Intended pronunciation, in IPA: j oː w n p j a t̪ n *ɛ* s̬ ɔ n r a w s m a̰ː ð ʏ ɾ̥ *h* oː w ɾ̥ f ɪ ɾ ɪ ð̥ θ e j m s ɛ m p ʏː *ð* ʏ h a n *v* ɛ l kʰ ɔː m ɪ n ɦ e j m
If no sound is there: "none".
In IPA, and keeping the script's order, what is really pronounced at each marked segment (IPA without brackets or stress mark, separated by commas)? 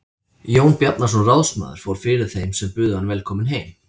a, f, ð, v